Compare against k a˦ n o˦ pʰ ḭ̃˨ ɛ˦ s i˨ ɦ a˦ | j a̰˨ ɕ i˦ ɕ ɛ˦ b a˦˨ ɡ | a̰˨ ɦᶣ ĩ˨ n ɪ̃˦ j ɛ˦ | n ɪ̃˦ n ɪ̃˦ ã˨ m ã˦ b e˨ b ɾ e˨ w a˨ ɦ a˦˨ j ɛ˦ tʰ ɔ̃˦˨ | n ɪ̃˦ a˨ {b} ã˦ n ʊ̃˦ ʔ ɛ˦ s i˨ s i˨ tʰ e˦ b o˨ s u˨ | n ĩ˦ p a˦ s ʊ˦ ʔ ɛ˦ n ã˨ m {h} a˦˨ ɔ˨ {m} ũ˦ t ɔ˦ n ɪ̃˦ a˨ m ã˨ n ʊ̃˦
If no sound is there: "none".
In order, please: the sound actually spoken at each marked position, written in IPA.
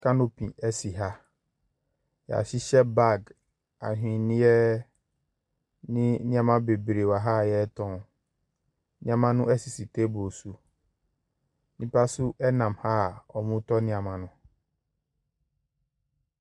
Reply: m, h, m

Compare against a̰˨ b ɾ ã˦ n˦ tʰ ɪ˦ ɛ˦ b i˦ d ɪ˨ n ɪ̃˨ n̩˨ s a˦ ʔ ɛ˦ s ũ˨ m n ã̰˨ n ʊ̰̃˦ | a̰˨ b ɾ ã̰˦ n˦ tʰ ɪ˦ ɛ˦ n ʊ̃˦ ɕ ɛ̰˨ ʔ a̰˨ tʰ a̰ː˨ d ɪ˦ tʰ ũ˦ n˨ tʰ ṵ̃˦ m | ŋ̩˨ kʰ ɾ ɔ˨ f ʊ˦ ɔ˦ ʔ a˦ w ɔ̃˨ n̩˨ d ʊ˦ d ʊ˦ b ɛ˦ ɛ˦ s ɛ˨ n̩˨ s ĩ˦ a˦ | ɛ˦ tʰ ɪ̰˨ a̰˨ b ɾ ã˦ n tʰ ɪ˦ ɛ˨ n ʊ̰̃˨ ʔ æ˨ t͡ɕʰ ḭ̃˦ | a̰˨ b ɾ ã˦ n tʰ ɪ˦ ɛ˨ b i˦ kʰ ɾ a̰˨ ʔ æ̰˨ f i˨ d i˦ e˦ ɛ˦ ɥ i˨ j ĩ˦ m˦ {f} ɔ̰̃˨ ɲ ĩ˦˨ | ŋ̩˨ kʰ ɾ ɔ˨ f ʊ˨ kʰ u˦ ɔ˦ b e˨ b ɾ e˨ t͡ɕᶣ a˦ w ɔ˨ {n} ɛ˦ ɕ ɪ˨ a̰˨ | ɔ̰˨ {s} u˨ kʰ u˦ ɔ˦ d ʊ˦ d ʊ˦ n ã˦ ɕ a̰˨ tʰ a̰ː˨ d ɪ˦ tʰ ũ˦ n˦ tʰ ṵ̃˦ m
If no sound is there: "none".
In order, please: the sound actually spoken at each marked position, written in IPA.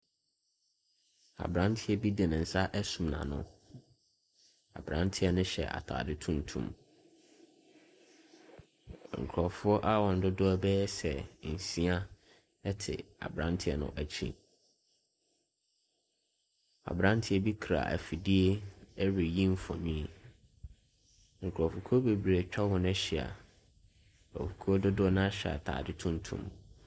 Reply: f, n, f

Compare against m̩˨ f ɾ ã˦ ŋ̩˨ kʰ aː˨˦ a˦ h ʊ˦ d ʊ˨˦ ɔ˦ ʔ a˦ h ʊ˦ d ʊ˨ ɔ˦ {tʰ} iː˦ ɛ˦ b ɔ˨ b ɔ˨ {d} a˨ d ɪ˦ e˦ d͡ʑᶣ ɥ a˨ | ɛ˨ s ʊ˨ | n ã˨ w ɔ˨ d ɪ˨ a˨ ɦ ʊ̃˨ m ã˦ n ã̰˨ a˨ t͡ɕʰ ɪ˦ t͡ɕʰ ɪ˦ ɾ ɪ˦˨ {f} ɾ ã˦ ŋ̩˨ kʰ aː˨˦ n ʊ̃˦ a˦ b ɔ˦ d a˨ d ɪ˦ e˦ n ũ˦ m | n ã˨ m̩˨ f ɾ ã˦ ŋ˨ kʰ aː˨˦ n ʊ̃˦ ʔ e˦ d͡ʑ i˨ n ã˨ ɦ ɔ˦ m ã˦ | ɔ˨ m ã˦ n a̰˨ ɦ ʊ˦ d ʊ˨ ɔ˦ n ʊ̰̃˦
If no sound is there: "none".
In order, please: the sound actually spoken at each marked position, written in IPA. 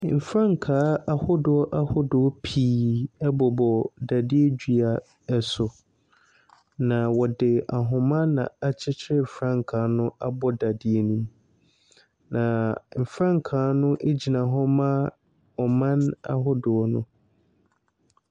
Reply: pʰ, d, f

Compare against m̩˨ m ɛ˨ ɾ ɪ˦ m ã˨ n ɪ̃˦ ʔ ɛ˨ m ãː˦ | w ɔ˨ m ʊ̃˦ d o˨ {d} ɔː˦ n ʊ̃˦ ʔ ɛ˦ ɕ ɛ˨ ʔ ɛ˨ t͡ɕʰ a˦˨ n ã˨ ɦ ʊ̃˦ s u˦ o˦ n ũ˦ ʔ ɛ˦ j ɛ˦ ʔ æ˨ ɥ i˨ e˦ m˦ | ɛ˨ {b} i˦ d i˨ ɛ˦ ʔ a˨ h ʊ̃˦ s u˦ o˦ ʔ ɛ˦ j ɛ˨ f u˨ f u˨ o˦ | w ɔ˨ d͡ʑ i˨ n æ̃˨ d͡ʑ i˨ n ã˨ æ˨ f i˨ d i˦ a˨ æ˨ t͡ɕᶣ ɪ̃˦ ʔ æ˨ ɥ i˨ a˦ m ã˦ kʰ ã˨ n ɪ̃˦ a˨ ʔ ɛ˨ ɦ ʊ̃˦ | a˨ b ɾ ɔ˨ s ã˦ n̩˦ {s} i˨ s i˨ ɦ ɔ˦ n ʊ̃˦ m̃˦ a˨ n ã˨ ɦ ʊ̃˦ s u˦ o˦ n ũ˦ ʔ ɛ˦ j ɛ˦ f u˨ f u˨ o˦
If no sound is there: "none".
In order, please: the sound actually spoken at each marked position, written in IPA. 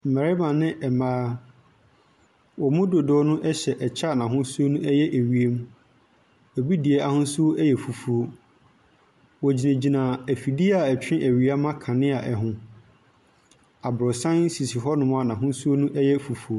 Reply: d, b, s

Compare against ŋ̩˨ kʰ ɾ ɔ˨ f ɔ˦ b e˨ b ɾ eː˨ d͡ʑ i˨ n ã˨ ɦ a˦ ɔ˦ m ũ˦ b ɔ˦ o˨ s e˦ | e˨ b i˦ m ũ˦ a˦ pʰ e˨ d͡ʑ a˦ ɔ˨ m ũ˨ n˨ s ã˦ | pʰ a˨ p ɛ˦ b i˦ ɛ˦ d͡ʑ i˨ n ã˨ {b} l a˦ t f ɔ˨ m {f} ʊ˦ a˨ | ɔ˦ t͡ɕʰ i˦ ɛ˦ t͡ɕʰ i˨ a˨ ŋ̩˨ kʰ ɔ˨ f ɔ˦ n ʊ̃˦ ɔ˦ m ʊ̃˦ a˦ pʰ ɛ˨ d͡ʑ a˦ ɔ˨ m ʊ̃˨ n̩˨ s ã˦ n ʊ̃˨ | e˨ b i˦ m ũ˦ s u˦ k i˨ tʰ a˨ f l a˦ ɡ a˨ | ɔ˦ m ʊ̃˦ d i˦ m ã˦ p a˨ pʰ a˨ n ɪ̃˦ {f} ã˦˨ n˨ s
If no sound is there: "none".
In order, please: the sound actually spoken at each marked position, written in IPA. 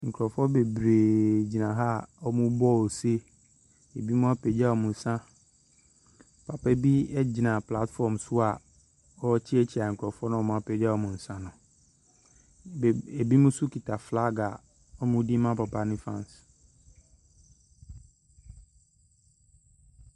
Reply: p, s, f

